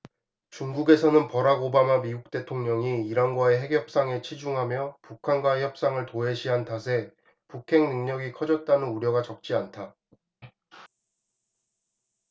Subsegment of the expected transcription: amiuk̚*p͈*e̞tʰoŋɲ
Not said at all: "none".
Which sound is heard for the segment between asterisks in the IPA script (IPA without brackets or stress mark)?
t͈